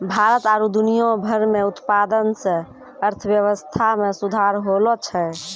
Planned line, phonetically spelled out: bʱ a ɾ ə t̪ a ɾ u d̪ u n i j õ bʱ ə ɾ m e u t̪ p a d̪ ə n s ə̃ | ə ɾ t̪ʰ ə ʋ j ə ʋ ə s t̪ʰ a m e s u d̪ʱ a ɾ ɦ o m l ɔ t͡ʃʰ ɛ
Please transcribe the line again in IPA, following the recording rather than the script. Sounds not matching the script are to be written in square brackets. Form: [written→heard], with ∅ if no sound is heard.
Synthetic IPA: bʱ a ɾ ə t̪ a ɾ u d̪ u n i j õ bʱ ə ɾ m e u t̪ p a d̪ ə n s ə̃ | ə ɾ t̪ʰ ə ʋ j ə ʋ ə s t̪ʰ a m e s u d̪ʱ a ɾ ɦ o [m→∅] l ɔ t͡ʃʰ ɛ